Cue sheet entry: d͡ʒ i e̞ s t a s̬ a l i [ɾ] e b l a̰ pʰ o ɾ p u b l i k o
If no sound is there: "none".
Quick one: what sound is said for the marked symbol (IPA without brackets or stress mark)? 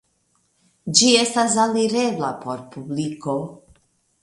ɾ